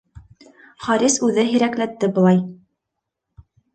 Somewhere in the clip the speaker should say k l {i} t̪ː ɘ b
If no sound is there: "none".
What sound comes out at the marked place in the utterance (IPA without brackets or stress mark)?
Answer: æ